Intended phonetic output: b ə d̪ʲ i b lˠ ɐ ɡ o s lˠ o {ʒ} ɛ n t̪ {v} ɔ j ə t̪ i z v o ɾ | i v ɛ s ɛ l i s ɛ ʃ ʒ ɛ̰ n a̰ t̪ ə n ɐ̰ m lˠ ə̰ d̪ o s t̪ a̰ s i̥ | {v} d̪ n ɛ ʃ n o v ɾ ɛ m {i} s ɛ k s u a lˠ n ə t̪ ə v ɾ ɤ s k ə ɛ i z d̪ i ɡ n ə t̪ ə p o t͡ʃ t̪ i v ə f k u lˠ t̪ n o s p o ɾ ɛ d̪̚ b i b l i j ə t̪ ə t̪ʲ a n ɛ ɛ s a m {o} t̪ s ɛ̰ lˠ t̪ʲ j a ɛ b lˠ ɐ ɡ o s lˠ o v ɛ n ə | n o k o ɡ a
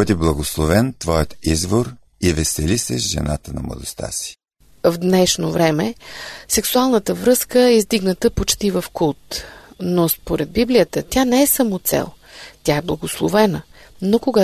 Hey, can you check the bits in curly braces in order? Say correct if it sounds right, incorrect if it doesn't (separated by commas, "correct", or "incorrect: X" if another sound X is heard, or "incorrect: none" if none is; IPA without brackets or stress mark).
incorrect: v, correct, correct, incorrect: ɛ, correct